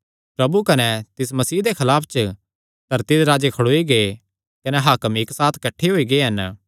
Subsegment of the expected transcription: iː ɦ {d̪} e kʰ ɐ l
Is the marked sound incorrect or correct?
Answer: correct